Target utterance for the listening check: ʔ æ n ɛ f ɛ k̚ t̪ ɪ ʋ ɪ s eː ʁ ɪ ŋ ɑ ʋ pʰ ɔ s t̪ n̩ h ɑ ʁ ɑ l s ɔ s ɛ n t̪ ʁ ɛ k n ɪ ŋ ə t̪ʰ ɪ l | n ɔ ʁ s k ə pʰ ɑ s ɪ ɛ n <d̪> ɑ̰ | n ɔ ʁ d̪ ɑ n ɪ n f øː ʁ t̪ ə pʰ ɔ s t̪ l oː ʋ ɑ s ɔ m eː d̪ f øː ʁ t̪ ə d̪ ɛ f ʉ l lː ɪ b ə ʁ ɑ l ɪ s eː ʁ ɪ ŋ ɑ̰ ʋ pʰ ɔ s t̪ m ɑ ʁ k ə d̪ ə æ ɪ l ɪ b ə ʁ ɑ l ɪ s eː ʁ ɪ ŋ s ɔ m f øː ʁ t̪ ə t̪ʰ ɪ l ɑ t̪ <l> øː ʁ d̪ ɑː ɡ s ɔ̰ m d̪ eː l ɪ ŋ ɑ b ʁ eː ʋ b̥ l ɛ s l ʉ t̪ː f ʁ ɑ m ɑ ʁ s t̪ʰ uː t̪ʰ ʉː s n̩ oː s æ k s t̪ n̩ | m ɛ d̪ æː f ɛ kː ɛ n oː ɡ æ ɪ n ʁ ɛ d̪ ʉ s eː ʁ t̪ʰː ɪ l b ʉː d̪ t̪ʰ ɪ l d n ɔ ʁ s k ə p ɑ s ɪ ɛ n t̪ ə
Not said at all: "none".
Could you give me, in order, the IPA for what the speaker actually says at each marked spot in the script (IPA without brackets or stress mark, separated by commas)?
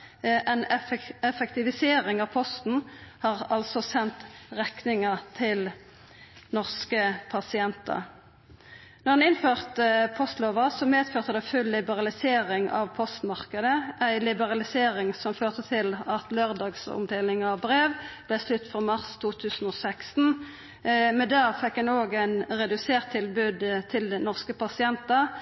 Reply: t̪, l